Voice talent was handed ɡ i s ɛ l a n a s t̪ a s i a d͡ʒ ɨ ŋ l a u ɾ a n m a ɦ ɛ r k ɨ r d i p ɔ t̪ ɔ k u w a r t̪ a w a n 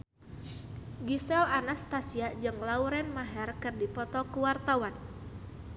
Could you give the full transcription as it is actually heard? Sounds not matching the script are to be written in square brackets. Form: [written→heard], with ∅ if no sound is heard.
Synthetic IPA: ɡ i s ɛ l a n a s t̪ a s i a d͡ʒ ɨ ŋ l a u ɾ [a→ɛ] n m a ɦ ɛ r k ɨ r d i p ɔ t̪ ɔ k u w a r t̪ a w a n